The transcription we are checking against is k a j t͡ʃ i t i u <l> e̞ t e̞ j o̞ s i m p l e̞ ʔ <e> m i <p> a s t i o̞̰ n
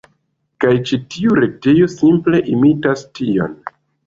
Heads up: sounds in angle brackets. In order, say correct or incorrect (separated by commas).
incorrect, incorrect, incorrect